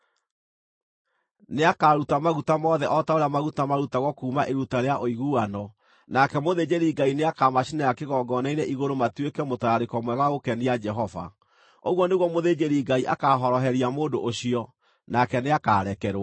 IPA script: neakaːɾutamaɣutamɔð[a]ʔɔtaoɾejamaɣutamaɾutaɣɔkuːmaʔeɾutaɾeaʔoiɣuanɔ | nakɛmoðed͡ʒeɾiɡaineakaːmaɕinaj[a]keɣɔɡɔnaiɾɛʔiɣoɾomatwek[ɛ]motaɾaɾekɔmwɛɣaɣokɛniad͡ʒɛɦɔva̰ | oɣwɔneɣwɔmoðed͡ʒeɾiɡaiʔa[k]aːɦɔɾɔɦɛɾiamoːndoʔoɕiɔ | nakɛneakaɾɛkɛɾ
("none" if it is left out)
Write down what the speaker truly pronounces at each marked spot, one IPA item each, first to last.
ɛ, a, ɛ, k

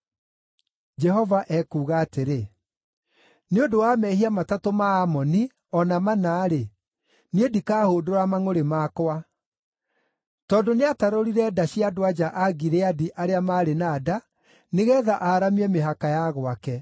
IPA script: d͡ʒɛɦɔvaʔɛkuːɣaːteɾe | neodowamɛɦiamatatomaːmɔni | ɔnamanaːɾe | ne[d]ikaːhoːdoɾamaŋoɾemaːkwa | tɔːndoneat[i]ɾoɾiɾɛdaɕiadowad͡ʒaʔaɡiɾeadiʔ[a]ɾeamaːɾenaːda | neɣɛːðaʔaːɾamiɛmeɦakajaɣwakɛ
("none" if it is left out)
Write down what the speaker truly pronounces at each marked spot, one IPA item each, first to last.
d, a, a

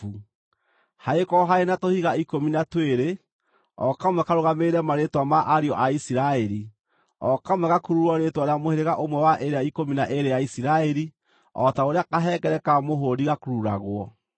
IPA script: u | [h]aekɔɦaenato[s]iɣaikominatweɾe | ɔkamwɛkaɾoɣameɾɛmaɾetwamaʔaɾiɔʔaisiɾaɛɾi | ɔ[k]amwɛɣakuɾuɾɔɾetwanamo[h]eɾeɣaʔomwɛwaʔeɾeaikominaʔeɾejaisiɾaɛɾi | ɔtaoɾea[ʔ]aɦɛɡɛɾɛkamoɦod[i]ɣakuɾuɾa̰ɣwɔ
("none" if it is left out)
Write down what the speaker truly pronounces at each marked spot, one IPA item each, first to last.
h, h, k, h, k, i

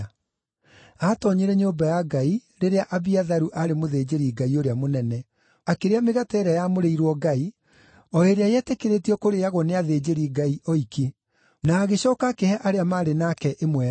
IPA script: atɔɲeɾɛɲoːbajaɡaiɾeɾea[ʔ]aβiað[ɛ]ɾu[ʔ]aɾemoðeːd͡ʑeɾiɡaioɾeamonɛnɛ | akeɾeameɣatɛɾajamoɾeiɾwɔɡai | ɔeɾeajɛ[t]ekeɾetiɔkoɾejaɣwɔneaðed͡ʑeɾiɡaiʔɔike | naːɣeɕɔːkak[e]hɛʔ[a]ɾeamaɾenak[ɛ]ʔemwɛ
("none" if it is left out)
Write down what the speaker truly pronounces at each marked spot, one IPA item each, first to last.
ʔ, a, ʔ, t, e, a, ɛ

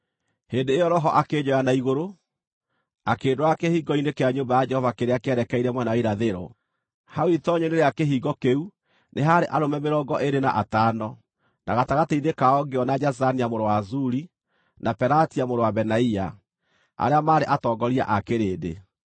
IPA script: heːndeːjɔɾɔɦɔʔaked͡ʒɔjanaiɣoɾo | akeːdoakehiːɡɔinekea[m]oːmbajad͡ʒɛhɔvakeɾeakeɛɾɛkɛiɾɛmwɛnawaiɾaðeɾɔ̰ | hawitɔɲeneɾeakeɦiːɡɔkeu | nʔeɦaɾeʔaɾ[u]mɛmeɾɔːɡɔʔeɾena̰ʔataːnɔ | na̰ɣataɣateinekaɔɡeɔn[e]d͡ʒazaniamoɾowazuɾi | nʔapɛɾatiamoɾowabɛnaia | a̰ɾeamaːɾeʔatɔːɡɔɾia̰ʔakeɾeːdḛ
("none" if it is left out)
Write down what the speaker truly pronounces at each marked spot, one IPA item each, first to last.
ɲ, o, a

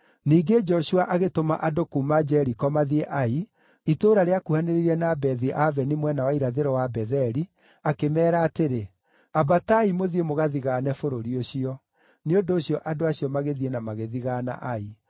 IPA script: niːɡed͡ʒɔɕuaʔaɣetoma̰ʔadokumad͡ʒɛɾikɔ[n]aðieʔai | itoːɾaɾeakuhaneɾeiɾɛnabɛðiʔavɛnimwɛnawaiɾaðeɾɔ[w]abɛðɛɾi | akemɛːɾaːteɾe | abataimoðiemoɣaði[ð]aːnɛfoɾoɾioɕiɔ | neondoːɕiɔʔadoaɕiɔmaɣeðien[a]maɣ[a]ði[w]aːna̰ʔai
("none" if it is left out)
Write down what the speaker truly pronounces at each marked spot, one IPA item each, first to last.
m, w, ɣ, a, e, ɣ

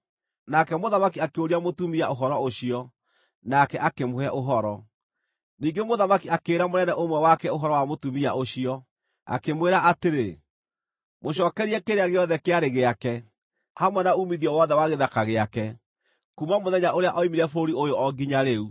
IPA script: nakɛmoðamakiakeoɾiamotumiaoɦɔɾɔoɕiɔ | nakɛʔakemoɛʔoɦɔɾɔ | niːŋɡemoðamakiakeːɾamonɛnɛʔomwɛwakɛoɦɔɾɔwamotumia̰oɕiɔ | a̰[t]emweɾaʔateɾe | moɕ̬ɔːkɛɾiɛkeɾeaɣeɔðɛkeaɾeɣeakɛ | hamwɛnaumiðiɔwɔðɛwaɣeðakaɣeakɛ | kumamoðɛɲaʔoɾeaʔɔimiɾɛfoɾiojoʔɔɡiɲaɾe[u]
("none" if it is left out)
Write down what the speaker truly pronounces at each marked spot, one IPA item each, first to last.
k, u

